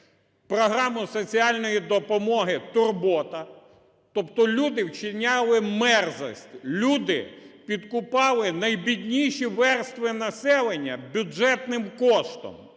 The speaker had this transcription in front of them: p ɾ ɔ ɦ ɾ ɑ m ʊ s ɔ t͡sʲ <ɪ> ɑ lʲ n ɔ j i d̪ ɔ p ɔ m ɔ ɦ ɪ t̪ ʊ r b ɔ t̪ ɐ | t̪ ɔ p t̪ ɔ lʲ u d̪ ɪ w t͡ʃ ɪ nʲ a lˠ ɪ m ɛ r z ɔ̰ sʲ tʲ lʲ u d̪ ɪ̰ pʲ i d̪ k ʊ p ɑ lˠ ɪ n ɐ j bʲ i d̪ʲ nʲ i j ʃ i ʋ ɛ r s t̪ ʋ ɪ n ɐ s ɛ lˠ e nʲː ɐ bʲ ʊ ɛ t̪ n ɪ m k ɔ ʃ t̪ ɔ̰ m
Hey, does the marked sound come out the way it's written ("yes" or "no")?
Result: no